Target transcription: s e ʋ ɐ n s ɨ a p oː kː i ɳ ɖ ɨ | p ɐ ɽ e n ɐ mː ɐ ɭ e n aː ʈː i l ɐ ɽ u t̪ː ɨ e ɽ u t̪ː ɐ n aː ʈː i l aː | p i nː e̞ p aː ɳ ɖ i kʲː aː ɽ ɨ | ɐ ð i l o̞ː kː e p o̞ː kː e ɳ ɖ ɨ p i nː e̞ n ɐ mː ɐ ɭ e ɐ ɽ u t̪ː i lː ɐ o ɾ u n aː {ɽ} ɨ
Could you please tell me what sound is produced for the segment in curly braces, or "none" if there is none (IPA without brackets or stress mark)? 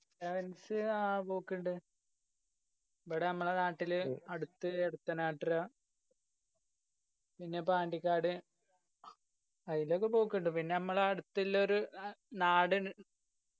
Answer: ɽ